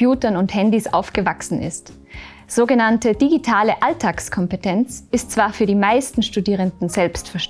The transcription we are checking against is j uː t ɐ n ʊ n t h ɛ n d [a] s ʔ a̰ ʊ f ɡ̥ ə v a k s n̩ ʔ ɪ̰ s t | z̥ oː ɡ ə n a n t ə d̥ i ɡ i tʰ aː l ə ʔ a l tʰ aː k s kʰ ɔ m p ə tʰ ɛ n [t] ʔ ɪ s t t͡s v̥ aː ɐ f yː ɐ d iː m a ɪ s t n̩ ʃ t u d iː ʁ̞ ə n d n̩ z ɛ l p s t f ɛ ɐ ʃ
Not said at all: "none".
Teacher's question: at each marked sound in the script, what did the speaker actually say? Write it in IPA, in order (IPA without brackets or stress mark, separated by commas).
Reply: i, t͡s